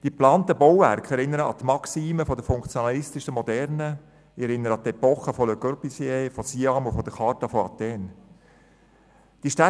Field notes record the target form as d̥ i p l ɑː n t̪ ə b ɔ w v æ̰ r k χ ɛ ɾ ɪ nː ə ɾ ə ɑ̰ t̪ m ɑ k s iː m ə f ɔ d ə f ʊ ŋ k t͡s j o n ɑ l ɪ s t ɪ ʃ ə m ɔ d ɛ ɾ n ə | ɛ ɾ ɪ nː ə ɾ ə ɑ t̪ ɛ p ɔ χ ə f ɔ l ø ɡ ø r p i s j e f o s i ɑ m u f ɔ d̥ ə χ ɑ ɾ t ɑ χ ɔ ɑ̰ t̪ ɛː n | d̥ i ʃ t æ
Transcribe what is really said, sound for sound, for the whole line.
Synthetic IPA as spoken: d̥ i p l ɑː n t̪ ə b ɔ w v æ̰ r k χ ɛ ɾ ɪ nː ə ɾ ə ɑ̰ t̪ m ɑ k s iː m ə f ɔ d ə f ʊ ŋ k t͡s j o n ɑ l ɪ s t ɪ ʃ ə m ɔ d ɛ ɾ n ə | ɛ ɾ ɪ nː ə ɾ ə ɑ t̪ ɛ p ɔ χ ə f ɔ l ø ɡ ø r p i s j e f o s i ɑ m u f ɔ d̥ ə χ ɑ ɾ t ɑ f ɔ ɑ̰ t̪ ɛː n | d̥ i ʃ t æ

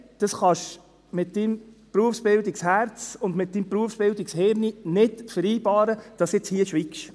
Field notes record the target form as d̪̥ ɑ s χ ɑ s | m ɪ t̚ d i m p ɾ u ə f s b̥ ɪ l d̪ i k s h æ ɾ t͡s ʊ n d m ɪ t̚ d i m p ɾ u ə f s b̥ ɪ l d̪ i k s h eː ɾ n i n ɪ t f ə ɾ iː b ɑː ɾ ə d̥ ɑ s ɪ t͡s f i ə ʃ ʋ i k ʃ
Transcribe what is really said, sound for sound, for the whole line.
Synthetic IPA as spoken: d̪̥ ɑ s χ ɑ ʃ | m ɪ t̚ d i m p ɾ u ə f s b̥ ɪ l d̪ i k s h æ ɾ t͡s ʊ n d m ɪ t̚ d i m p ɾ u ə f s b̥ ɪ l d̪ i k s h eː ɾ n i n ɪ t f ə ɾ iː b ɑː ɾ ə d̥ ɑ s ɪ t͡s h i ə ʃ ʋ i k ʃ

